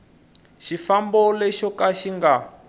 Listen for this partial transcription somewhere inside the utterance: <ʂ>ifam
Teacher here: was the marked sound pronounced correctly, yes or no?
no